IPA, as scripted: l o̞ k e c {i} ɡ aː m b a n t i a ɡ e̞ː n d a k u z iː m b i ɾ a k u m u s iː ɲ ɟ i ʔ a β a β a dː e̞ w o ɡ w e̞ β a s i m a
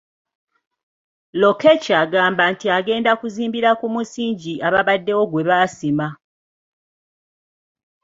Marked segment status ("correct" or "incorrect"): incorrect